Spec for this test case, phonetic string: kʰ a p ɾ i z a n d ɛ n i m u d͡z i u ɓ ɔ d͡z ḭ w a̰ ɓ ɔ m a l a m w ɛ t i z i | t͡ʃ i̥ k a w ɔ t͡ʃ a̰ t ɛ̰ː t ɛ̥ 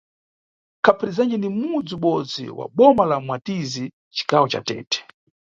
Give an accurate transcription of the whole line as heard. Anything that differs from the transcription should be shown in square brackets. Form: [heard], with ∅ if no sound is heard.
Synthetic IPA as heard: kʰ a p ɾ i z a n [d͡ʒ] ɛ n i m u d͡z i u ɓ ɔ d͡z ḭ w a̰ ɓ ɔ m a l a m w [a] t i z i | t͡ʃ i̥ k a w ɔ t͡ʃ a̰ t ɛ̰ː t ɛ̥